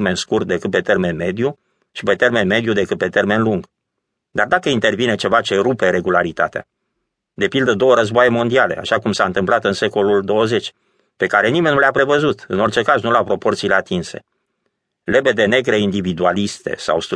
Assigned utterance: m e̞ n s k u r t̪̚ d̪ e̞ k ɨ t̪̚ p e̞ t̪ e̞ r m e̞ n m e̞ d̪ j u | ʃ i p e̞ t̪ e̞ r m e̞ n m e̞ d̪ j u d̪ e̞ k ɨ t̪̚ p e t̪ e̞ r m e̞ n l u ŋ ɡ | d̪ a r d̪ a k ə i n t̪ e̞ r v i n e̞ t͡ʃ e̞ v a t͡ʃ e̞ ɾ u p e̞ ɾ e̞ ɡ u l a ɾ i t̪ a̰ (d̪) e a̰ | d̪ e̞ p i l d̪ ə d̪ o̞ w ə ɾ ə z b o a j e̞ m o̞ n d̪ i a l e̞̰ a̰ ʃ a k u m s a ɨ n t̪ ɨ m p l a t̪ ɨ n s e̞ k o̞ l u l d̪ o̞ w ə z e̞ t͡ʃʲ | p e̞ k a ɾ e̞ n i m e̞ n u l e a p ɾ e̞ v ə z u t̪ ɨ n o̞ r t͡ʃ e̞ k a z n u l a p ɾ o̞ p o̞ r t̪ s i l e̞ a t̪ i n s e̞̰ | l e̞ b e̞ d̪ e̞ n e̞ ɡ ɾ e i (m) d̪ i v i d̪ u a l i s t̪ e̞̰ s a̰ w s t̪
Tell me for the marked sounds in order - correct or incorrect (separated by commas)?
incorrect, incorrect